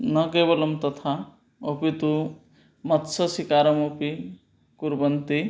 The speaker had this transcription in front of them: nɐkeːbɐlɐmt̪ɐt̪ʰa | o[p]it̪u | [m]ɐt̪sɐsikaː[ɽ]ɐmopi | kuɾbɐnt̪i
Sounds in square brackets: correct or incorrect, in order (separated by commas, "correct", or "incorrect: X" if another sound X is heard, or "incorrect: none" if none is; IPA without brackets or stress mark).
correct, correct, incorrect: ɾ